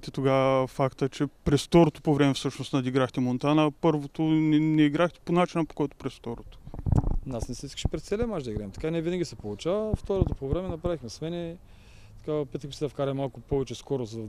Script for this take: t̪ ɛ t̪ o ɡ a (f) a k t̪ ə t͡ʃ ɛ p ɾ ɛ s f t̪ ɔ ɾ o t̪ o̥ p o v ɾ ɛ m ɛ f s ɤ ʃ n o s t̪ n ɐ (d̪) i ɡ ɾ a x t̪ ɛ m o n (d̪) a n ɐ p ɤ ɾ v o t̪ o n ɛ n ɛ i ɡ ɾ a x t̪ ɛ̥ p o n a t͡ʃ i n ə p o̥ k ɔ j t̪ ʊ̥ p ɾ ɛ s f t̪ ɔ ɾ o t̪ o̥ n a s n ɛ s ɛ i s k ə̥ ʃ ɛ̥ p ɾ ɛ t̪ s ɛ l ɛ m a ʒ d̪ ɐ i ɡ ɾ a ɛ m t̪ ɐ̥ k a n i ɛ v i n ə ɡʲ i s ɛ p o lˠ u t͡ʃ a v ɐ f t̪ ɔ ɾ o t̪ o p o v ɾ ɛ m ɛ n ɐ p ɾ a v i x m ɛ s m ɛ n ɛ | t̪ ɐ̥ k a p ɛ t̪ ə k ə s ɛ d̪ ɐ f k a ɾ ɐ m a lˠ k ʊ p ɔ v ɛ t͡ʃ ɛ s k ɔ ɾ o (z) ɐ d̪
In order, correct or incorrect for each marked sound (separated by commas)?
correct, correct, incorrect, correct